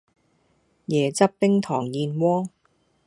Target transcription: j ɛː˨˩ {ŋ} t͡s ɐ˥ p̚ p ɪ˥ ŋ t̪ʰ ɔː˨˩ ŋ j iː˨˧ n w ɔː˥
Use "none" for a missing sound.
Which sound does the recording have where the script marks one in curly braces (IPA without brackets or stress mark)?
none